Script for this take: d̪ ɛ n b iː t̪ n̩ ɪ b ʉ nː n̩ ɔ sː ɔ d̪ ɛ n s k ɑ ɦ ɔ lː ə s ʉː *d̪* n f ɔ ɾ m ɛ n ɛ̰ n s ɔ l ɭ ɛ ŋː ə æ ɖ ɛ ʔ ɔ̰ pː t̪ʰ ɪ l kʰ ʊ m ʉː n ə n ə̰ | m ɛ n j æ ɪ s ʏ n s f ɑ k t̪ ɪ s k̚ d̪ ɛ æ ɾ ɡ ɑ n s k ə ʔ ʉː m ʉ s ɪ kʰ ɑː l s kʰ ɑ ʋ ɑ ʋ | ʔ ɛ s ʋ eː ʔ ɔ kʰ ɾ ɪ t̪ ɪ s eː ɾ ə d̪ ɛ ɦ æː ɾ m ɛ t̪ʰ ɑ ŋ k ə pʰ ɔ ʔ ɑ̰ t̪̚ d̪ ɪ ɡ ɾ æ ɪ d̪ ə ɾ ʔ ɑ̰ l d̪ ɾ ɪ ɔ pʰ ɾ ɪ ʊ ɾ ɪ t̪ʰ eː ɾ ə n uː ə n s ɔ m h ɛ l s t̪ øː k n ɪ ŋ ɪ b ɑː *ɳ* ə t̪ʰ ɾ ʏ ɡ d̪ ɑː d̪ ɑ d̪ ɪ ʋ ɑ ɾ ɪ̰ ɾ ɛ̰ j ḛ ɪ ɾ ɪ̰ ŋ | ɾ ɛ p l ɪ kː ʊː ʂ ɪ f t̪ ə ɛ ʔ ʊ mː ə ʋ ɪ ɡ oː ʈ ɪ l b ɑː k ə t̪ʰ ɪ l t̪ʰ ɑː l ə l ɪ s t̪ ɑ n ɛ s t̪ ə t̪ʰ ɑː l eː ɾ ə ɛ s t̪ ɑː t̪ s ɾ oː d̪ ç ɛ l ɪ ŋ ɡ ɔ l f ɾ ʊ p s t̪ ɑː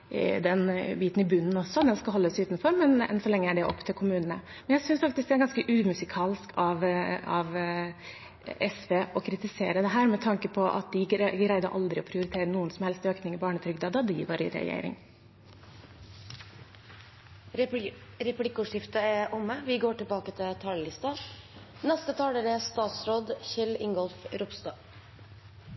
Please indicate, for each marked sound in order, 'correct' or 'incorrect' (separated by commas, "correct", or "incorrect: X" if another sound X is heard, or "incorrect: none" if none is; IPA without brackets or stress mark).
incorrect: t̪, correct